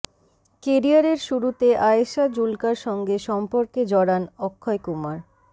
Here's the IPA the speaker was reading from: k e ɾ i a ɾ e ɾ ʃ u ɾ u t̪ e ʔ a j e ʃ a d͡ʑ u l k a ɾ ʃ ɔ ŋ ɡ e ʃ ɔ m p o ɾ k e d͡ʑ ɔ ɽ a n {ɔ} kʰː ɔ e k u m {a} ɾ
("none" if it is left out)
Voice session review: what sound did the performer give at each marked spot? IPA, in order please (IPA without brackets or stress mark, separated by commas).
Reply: ɔ, a